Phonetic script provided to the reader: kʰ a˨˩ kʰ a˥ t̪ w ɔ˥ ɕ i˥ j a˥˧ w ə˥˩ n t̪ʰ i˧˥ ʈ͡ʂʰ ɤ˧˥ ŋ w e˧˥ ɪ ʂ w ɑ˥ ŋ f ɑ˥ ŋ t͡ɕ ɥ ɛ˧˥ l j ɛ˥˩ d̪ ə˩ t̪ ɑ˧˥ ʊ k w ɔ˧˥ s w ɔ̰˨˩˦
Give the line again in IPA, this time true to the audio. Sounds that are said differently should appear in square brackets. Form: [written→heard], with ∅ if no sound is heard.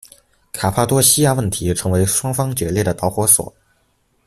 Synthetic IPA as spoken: kʰ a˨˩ [kʰ→pʰ] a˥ t̪ w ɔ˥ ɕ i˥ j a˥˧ w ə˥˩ n t̪ʰ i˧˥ ʈ͡ʂʰ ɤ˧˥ ŋ w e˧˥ ɪ ʂ w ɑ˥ ŋ f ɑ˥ ŋ t͡ɕ ɥ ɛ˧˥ l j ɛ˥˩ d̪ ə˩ t̪ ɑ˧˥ ʊ [k→x] w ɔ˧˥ s w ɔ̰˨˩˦